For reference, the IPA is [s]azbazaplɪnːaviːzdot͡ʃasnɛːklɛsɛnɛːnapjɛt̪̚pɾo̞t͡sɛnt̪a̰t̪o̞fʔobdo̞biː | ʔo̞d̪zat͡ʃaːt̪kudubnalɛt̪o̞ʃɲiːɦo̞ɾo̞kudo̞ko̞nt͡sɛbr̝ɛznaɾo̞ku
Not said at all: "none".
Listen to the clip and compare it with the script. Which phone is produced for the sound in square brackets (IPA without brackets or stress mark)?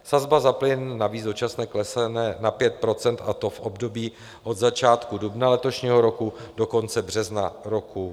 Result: s